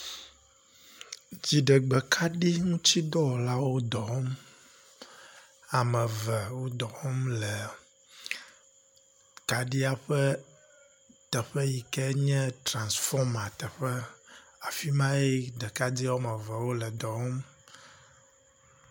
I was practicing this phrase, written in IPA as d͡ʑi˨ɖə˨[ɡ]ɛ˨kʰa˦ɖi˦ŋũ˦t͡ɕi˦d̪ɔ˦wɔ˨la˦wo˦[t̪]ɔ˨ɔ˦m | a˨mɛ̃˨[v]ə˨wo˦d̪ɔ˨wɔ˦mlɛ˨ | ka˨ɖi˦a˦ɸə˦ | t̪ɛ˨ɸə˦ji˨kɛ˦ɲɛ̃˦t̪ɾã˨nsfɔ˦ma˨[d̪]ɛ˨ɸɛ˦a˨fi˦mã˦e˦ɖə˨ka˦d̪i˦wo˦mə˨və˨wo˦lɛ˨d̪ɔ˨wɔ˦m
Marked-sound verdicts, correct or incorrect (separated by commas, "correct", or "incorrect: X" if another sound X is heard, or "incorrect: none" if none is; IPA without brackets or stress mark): incorrect: ɡ͡b, incorrect: d̪, correct, incorrect: t̪